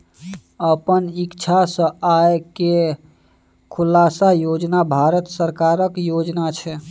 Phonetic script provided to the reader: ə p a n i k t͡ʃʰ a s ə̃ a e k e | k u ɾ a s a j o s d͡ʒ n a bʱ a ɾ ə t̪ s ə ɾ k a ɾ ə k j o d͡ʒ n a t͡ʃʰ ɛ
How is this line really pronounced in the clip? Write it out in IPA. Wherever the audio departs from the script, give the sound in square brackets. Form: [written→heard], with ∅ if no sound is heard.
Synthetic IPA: ə p [a→ə] n i k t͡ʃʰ a s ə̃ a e k e | [k→kʰ] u [ɾ→l] a s a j o [s→∅] d͡ʒ n a bʱ a ɾ ə t̪ s ə ɾ k a ɾ ə k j o d͡ʒ n a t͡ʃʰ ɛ